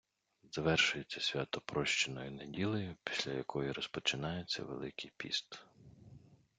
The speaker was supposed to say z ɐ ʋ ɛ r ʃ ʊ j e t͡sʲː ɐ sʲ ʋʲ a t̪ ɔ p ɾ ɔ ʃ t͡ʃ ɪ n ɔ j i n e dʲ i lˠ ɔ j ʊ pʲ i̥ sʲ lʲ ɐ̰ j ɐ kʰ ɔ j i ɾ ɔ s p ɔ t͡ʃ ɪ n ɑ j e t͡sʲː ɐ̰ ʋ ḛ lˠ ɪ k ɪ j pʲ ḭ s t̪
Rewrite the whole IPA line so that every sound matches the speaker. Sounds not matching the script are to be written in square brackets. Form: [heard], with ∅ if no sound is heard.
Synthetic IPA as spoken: z ɐ ʋ ɛ r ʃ ʊ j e t͡sʲː ɐ sʲ ʋʲ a t̪ ɔ p ɾ ɔ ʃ t͡ʃ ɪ n ɔ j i n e dʲ i lˠ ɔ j ʊ pʲ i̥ sʲ lʲ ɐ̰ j ɐ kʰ ɔ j i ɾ ɔ s p ɔ t͡ʃ ɪ n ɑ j e t͡sʲː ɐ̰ ʋ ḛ lˠ ɪ k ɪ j pʲ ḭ s t̪